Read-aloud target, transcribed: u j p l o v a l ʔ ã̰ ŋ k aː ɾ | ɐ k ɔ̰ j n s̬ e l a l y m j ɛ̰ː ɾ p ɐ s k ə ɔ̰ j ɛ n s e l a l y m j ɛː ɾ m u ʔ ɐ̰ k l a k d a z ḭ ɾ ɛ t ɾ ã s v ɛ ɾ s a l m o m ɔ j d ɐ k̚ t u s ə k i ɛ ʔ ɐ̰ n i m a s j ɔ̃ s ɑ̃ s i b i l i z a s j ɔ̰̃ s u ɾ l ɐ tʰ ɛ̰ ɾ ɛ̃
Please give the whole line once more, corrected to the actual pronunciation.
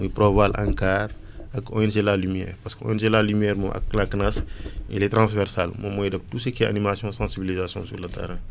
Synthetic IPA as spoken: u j p ɾ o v a l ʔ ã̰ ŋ k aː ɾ | ɐ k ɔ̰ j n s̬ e l a l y m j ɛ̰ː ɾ p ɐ s k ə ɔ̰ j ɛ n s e l a l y m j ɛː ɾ m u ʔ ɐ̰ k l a k n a s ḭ l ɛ t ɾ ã s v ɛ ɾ s a l m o m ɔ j d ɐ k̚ t u s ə k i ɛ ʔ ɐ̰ n i m a s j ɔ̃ s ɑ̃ s i b i l i z a s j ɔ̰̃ s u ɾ l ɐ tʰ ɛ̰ ɾ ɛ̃

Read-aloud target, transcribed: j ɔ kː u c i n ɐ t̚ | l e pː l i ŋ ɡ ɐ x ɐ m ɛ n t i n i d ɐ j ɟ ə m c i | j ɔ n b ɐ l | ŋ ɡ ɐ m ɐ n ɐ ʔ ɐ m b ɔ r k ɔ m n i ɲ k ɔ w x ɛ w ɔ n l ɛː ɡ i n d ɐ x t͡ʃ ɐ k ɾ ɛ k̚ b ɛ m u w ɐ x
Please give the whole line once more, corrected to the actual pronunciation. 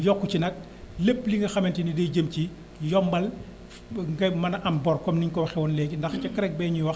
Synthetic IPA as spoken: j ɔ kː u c i n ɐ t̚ | l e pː l i ŋ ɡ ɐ x ɐ m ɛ n t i n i d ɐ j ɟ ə m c i | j ɔ m b ɐ l | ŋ ɡ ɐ m ɐ n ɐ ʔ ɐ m b ɔ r k ɔ m n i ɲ k ɔ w x ɛ w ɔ n l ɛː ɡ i n d ɐ x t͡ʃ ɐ k ɾ ɛ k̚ b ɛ ɲ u w ɐ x

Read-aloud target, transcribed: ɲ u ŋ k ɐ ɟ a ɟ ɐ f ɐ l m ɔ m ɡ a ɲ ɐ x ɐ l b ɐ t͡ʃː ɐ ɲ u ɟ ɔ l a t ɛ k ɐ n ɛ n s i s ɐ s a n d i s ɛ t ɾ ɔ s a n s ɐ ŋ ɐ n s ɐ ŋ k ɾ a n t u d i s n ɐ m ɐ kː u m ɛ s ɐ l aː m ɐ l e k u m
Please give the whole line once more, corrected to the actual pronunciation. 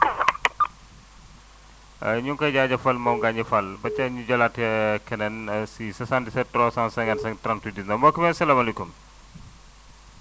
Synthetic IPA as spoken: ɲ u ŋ k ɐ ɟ a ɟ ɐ f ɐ l m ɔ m ɡ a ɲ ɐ f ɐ l b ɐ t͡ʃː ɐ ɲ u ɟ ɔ l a t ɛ k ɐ n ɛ n s i s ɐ s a n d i s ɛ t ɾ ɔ s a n s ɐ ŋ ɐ n s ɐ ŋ t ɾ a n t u d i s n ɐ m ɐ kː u m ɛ s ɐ l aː m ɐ l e k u m

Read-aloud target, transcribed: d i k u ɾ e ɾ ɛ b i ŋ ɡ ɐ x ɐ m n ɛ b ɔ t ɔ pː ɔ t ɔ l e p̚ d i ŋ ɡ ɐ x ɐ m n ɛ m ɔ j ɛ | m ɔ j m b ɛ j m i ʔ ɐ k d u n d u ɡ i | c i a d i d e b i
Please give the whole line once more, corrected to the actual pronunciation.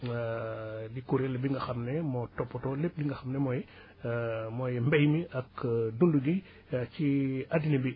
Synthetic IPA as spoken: d i k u ɾ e l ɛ b i ŋ ɡ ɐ x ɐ m n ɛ m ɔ t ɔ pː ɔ t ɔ l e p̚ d i ŋ ɡ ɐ x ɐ m n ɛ m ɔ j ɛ | m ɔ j m b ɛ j m i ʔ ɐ k d u n d u ɡ i | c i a d i n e b i

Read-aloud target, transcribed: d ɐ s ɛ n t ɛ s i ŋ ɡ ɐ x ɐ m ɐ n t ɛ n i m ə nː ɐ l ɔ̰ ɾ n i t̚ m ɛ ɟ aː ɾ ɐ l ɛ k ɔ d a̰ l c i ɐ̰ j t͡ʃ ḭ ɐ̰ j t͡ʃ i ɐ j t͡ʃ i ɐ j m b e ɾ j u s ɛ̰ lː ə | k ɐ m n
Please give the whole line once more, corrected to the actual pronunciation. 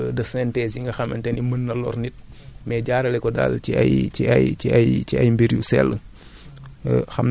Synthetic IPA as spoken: d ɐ s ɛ n t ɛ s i ŋ ɡ ɐ x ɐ m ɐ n t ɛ n i m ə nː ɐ l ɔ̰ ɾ n i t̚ m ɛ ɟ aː ɾ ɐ l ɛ k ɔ d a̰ l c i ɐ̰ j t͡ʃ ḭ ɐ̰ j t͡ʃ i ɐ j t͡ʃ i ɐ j m b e ɾ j u s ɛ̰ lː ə | x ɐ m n

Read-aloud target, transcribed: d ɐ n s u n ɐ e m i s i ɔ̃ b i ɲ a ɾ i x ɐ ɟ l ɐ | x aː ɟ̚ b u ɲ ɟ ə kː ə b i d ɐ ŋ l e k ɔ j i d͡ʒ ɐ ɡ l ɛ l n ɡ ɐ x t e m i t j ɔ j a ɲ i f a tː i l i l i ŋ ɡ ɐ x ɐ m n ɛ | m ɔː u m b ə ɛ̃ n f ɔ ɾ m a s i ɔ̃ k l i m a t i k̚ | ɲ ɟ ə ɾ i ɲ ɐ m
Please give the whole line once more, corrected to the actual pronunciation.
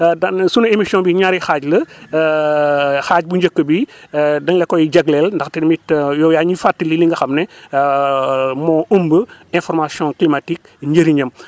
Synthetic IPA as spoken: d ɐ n s u n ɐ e m i s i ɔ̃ b i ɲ a ɾ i x a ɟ l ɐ | x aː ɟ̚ b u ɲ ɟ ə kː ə b i d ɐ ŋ l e k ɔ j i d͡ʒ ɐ ɡ l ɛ l n d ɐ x t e m i t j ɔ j a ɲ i f a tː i l i l i ŋ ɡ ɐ x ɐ m n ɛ | m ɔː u m b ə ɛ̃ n f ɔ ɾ m a s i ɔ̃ k l i m a t i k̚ | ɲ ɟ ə ɾ i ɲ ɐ m

